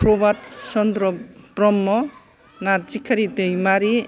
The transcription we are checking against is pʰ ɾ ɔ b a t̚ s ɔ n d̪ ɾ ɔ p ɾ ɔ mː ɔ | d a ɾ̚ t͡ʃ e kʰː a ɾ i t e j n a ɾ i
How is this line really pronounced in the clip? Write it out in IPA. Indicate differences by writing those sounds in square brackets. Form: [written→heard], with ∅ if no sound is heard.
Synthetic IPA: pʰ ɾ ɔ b a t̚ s ɔ n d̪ ɾ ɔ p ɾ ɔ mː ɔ | [d→n] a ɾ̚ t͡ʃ [e→i] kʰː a ɾ i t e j [n→m] a ɾ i

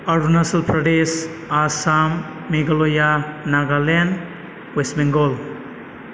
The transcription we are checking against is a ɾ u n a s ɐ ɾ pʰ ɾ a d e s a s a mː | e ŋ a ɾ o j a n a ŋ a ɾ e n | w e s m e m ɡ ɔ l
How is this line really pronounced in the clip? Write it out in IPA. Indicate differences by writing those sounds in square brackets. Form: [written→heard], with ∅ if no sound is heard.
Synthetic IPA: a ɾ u n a s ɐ [ɾ→l] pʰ ɾ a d e s a s a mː | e [ŋ→ɡ] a [ɾ→l] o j a n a [ŋ→ɡ] a [ɾ→l] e n | w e s m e [m→ŋ] ɡ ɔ l

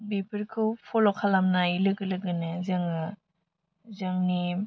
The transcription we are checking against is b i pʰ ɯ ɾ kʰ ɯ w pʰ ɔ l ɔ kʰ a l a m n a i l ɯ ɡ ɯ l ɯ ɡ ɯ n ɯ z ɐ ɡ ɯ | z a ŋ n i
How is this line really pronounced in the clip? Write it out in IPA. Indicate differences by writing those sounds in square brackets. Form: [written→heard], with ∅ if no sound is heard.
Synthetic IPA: b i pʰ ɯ ɾ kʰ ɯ w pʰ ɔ l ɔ kʰ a l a m n a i l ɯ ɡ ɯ l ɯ ɡ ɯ n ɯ z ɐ [ɡ→ŋ] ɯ | z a ŋ n i

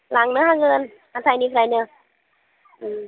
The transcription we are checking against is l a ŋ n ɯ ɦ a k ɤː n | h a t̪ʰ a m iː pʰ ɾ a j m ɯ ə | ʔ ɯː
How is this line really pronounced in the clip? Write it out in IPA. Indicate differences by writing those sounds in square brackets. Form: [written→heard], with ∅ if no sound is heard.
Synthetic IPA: l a ŋ n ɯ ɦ a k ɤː n | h a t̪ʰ a [m→n] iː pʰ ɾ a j [m→n] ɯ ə | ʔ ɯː

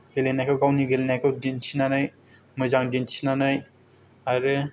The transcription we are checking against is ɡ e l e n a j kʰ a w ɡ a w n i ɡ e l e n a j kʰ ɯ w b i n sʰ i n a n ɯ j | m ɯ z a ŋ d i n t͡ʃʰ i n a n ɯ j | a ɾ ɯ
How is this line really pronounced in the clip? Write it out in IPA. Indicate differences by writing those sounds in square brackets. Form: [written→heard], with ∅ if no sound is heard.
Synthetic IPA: ɡ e l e n a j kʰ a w ɡ a w n i ɡ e l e n a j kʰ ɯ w [b→d] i n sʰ i n a n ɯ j | m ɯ z a ŋ d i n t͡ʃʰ i n a n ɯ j | a ɾ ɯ

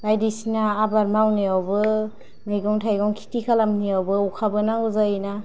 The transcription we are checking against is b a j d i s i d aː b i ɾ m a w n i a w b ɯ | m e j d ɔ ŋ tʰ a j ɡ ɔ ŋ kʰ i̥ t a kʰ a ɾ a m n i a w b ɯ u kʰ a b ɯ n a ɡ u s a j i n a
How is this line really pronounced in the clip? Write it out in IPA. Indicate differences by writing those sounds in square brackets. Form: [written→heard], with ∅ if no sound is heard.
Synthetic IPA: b a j d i s i [d→n] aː b [i→a] ɾ m a w n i a w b ɯ | m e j [d→ɡ] ɔ ŋ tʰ a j ɡ ɔ ŋ kʰ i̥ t [a→i] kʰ a [ɾ→l] a m n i a w b ɯ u kʰ a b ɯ n a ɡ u [s→z] a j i n a

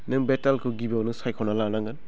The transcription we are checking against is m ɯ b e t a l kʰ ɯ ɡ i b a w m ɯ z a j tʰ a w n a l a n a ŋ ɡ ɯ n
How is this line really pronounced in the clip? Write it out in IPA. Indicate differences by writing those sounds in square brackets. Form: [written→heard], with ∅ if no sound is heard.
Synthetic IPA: [m→n] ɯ b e t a l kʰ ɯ ɡ i b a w [m→n] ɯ [z→s] a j [tʰ→kʰ] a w n a l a n a ŋ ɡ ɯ n

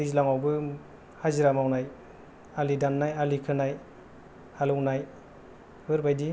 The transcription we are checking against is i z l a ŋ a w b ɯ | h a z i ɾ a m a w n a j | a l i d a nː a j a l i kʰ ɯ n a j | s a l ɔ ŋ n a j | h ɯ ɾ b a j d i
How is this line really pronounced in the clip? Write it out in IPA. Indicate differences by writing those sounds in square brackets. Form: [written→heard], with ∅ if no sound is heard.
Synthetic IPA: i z l a ŋ a w b ɯ | h a z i ɾ a m a w n a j | a l i d a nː a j a l i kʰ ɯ n a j | [s→h] a l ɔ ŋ n a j | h ɯ ɾ b a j d i

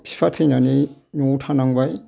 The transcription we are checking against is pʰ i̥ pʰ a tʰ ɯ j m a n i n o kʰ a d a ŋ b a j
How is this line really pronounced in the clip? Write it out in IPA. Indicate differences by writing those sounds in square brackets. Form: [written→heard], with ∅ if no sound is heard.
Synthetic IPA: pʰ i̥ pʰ a tʰ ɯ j [m→n] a n i n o [kʰ→tʰ] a [d→n] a ŋ b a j

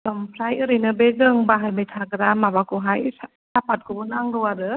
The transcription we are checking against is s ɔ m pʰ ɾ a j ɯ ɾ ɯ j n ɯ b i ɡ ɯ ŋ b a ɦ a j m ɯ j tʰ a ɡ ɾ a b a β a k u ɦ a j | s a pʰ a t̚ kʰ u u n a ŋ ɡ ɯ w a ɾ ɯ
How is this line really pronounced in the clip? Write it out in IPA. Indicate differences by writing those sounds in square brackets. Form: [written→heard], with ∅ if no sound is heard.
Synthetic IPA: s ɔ m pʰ ɾ a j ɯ ɾ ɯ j n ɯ b [i→e] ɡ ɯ ŋ b a ɦ a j m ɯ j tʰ a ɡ ɾ a [b→m] a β a k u ɦ a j | s a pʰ a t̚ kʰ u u n a ŋ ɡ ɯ w a ɾ ɯ

